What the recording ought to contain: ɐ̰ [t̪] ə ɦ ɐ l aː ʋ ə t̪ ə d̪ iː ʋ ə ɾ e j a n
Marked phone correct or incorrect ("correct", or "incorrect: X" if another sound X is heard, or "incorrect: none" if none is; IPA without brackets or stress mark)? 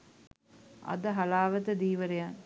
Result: incorrect: d̪